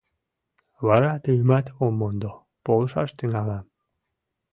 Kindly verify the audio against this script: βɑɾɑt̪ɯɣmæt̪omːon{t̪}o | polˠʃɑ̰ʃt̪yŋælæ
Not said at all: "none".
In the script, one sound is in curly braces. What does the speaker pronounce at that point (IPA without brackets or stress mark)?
d̪